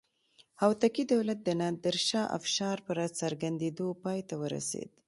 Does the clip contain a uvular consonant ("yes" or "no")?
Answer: no